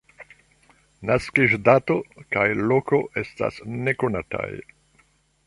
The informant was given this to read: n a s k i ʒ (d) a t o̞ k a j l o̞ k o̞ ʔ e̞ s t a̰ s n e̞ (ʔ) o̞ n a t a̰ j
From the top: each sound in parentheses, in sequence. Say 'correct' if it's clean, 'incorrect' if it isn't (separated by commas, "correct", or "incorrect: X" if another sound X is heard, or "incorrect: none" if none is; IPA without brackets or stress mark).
correct, incorrect: k